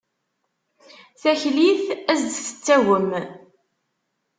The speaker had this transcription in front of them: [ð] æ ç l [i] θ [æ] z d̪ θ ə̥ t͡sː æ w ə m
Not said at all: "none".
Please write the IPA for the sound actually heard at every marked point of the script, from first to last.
θ, i, æ

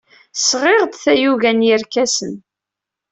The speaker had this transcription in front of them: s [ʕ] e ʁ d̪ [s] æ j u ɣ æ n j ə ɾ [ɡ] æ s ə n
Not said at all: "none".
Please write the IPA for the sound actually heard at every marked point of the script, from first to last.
ʁ, θ, k

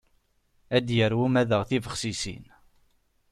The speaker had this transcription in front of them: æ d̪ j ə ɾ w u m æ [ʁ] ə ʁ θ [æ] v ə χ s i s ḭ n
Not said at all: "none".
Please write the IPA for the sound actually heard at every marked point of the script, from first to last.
ð, i

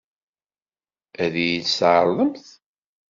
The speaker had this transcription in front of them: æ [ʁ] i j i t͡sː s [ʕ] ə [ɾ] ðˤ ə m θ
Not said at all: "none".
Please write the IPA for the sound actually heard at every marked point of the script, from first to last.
ð, ʕ, ɾ

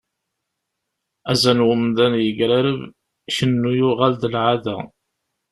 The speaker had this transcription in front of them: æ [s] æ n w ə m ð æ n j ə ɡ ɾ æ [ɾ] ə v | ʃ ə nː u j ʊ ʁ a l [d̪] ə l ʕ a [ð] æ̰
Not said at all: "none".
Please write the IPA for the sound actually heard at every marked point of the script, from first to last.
z, ɾ, d̪, ð

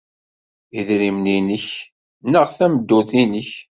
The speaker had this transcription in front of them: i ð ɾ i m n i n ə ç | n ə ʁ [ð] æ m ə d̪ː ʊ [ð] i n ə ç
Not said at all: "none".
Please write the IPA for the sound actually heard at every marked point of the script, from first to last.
θ, θ

